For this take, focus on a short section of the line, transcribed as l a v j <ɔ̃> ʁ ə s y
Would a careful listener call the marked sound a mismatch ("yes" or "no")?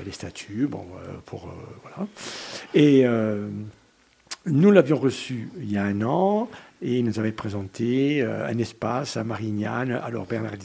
no